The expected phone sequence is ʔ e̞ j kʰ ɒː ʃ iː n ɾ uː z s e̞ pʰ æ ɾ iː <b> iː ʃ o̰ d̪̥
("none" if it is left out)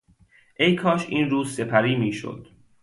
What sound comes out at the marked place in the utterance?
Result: m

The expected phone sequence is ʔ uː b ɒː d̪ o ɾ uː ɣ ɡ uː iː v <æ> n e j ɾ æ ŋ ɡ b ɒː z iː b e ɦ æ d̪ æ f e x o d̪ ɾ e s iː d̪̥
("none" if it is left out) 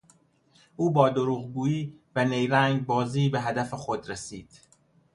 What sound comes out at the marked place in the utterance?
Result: æ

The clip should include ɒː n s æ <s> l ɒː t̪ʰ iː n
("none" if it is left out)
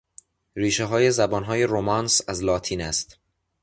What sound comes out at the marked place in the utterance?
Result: z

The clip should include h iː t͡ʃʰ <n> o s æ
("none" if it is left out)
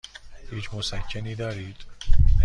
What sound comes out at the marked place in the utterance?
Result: m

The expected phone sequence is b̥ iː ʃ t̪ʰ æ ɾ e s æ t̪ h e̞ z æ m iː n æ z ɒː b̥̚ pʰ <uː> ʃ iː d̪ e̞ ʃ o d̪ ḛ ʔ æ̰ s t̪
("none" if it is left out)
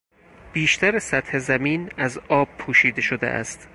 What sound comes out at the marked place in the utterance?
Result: uː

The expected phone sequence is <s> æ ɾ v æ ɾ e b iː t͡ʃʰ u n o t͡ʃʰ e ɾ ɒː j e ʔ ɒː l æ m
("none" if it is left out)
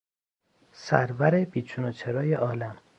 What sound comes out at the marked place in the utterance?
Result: s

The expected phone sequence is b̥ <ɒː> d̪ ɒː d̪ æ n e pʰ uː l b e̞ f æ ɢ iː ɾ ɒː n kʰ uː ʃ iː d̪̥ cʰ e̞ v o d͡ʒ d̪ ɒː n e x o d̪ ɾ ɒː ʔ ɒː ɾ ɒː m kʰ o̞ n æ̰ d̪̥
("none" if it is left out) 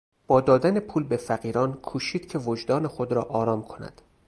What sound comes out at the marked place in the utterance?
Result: ɒː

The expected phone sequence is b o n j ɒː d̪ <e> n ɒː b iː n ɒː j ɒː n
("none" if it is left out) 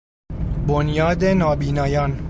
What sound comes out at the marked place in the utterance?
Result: e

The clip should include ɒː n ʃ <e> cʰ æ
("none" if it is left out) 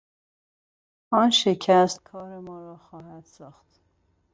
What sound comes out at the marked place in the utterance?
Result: e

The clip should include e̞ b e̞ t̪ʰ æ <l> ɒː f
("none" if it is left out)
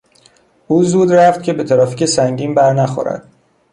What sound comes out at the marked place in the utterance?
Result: ɾ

